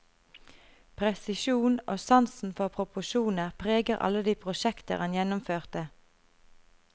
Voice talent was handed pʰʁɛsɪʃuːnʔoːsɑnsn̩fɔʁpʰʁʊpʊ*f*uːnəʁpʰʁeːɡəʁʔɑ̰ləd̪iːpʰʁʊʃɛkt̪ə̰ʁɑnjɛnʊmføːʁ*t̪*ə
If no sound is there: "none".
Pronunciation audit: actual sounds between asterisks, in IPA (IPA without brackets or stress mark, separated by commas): ʃ, t̪